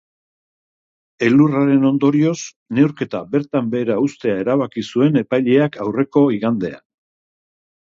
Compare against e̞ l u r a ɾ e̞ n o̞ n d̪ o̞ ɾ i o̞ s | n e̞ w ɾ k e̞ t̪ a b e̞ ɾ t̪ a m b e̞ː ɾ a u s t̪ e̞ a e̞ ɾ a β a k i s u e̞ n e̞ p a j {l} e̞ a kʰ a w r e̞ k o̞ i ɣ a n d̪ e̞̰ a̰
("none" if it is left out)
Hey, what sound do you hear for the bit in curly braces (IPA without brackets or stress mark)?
ʎ